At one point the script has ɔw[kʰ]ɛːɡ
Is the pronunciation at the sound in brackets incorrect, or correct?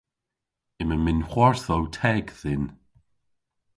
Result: incorrect